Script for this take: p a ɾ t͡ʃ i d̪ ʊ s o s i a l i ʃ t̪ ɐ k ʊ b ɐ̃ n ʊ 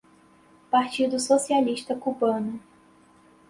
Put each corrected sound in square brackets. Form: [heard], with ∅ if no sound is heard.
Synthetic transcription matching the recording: p a ɾ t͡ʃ i d̪ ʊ s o s i a l i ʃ t̪ ɐ k [u] b ɐ̃ n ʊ